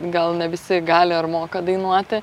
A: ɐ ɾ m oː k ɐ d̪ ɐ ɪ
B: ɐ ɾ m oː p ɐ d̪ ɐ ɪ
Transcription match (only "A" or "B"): A